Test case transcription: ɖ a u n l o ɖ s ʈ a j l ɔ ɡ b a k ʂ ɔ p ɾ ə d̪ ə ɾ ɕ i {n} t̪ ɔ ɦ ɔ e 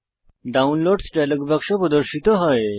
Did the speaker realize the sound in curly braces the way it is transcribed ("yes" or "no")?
no